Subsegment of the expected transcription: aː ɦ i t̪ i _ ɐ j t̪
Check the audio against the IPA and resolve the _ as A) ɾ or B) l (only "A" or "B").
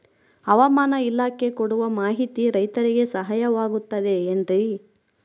A